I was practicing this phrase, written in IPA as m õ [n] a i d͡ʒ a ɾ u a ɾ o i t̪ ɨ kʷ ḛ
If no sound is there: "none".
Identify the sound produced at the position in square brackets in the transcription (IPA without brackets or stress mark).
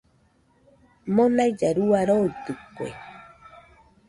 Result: n